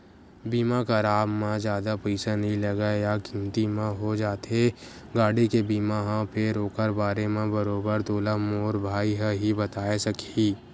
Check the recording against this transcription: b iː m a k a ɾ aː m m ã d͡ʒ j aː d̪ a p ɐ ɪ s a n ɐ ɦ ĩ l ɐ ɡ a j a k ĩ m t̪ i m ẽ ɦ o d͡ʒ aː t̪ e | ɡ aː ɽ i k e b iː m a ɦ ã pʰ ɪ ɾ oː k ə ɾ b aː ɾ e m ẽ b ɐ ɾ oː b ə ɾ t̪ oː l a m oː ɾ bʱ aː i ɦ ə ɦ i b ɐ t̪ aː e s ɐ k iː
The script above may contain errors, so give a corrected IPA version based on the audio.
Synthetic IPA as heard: b iː m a k a ɾ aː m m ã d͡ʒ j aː d̪ a p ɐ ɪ s a n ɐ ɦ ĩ l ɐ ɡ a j a k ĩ m t̪ i m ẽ ɦ o d͡ʒ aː t̪ e | ɡ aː ɽ i k e b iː m a ɦ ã pʰ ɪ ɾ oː k ə ɾ b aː ɾ e m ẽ b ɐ ɾ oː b ə ɾ t̪ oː l a m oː ɾ bʱ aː i ɦ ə ɦ i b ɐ t̪ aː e s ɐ k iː